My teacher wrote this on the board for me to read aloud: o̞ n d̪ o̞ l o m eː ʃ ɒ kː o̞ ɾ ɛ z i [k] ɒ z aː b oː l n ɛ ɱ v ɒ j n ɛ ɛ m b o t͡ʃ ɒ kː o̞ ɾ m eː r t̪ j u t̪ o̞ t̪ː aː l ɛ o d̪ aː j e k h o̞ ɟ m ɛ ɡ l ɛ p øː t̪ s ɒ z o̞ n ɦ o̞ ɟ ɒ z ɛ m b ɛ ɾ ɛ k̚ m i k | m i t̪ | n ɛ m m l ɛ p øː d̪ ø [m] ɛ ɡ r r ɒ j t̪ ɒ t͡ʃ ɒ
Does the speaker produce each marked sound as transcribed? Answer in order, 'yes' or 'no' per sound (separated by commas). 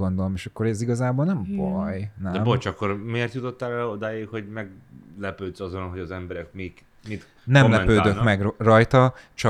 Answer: no, yes